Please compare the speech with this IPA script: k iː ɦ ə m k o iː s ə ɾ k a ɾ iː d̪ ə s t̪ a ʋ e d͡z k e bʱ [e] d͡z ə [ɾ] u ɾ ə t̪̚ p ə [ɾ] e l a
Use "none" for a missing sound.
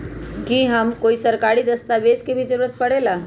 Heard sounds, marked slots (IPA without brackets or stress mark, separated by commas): i, ɾ, ɽ